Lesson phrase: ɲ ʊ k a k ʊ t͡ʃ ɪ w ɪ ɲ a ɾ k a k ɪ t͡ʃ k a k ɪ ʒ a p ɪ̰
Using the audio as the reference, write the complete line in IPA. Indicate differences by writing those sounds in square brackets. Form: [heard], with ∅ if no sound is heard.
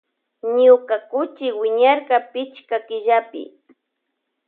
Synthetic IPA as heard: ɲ ʊ k a k ʊ t͡ʃ ɪ w ɪ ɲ a ɾ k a [p] ɪ t͡ʃ k a k ɪ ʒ a p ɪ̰